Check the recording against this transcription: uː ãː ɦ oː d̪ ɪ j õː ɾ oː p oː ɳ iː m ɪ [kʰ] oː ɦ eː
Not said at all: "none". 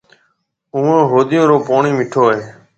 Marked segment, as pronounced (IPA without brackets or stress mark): ʈʰ